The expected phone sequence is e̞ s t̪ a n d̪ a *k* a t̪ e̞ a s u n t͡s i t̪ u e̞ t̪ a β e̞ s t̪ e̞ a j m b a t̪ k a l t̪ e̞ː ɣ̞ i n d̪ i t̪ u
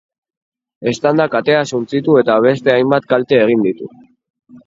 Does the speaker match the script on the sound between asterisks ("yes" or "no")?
yes